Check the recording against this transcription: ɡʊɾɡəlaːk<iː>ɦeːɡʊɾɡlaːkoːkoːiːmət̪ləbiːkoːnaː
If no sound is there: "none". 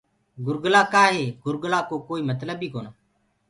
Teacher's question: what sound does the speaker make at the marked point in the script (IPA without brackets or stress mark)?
aː